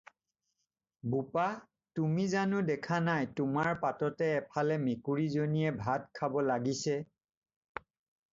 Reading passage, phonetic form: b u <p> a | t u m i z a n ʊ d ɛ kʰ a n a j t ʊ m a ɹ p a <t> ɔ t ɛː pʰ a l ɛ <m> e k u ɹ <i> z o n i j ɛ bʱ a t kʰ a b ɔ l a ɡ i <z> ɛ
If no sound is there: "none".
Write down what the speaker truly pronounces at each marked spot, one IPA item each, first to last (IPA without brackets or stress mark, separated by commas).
p, t, m, i, s